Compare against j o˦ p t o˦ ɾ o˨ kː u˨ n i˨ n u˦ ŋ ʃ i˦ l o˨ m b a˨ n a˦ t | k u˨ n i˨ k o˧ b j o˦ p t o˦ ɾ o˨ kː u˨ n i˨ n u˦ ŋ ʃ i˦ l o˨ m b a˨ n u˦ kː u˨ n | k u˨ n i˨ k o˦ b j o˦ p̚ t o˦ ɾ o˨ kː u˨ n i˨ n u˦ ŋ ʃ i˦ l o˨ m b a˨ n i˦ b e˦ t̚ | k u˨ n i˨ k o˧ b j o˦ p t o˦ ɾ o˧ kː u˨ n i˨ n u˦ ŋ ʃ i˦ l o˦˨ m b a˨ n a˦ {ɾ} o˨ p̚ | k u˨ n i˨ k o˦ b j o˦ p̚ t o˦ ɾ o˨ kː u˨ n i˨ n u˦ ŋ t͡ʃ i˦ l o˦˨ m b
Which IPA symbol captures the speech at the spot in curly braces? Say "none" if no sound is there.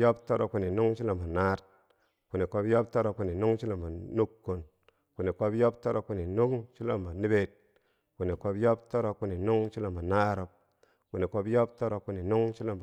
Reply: ɾ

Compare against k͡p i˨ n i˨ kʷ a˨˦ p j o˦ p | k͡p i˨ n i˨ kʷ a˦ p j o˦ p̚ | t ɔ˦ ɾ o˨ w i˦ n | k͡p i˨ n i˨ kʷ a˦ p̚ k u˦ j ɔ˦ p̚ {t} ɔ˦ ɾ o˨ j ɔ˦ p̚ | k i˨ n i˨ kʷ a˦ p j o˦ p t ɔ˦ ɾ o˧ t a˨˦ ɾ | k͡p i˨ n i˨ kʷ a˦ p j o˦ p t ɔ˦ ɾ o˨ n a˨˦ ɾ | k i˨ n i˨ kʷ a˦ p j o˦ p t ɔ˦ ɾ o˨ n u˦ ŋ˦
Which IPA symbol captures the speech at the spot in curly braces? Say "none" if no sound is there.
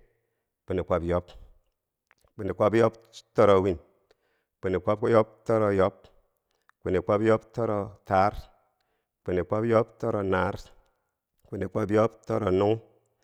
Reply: t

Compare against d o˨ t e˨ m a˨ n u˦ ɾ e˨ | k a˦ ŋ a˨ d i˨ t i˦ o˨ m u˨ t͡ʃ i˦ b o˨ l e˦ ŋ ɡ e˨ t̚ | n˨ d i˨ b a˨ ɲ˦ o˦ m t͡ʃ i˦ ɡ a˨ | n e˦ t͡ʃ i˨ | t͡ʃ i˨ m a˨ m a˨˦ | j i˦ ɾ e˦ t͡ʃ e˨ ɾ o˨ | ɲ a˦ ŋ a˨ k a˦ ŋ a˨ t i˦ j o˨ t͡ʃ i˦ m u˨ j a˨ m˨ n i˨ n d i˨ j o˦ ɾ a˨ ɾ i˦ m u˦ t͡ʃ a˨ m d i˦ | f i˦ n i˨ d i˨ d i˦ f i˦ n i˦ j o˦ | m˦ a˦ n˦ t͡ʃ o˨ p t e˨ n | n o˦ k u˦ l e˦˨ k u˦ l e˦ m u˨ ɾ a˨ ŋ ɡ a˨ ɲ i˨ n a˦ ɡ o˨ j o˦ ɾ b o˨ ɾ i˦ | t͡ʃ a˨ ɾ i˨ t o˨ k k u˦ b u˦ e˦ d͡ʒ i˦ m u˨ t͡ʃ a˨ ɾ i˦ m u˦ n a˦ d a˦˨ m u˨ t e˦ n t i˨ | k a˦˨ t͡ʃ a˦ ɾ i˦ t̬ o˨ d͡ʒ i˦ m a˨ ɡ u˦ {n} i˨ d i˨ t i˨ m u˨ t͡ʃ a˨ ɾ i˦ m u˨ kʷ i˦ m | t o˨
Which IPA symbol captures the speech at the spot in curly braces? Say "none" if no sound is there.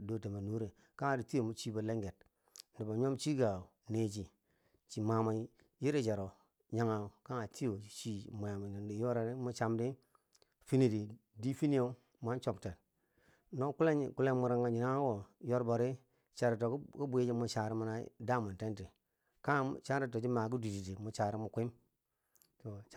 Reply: d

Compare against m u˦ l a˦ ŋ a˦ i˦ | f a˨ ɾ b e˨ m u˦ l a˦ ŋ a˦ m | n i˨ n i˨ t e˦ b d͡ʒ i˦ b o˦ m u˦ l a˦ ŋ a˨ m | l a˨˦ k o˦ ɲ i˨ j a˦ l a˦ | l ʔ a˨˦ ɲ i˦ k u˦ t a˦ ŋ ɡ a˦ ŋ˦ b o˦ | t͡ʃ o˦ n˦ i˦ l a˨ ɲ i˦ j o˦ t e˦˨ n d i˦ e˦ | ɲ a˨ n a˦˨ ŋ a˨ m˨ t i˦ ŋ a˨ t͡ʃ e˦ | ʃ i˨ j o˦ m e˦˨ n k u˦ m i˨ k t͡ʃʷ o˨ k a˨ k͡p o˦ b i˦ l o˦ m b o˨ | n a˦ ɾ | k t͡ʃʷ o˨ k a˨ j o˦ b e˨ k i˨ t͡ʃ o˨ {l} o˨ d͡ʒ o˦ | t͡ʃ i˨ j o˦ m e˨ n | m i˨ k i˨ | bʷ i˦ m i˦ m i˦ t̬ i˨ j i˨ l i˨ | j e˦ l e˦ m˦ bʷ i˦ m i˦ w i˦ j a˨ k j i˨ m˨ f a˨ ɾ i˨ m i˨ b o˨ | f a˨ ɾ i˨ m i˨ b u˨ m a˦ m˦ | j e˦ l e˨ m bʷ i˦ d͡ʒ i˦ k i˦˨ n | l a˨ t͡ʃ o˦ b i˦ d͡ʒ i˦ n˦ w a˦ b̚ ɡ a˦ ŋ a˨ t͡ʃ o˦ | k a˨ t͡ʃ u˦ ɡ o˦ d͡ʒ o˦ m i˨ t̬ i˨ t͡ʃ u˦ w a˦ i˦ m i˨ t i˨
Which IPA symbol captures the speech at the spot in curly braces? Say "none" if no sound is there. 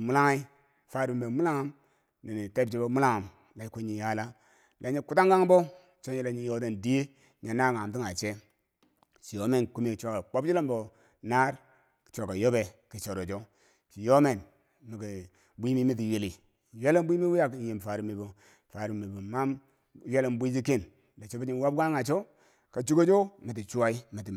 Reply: ɾ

